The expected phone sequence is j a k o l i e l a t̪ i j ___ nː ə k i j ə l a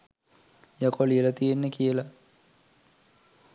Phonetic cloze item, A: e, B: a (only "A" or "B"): A